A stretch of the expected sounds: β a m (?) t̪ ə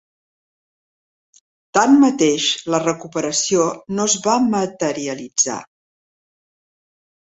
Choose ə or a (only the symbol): ə